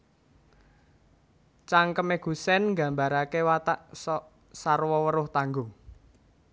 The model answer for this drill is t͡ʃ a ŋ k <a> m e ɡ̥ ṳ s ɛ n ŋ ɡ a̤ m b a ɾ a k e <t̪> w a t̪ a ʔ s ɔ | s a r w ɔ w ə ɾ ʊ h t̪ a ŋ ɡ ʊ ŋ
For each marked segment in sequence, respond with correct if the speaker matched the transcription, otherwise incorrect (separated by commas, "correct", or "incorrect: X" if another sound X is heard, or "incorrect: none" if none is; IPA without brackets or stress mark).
incorrect: ə, incorrect: none